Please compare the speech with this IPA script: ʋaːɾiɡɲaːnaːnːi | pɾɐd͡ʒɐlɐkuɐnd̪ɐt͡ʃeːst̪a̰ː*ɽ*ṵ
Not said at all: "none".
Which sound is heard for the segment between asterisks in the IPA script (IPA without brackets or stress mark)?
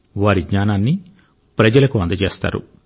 ɾ